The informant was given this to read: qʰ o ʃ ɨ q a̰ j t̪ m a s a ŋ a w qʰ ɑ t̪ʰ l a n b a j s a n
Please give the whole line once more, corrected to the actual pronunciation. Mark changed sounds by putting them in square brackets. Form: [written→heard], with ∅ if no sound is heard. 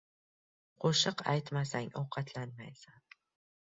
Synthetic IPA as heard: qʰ o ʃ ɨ q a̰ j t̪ m a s a ŋ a w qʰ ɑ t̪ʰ l a n [b→m] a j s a n